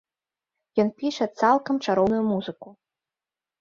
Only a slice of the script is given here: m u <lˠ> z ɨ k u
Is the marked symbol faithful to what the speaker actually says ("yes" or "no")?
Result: no